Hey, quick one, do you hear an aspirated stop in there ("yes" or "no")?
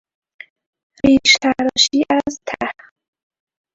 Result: yes